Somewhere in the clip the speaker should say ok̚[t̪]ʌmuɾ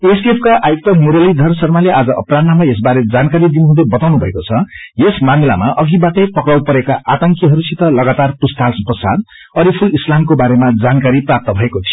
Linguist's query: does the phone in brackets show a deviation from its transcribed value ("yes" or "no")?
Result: no